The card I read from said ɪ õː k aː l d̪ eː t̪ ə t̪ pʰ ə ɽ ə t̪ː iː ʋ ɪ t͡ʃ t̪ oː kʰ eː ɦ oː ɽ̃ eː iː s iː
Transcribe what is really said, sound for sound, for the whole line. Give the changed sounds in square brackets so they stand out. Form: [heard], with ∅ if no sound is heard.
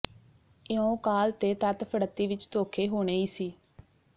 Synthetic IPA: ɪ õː k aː l [t̪] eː t̪ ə t̪ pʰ ə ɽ ə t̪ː iː ʋ ɪ t͡ʃ t̪ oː kʰ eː ɦ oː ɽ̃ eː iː s iː